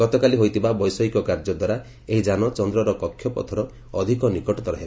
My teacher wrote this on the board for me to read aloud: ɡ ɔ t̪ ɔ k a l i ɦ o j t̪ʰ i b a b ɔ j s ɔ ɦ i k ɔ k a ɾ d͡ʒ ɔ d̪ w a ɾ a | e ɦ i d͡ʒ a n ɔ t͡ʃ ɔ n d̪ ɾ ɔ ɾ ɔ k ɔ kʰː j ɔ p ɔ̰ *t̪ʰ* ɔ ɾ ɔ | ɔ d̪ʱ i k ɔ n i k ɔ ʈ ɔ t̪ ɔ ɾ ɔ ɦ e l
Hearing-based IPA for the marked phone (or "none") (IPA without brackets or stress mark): t̪ʰ